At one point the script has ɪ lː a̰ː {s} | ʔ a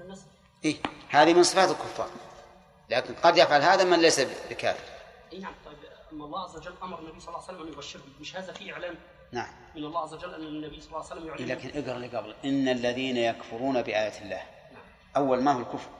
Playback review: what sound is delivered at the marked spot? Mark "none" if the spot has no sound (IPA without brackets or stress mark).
h